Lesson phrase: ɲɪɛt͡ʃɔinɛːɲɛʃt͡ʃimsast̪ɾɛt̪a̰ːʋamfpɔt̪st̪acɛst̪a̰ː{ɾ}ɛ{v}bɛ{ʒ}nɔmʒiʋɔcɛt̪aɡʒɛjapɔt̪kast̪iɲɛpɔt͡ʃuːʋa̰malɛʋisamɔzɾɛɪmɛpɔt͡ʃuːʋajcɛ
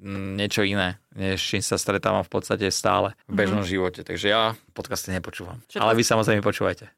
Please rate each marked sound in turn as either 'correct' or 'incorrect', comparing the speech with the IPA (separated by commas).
incorrect, correct, correct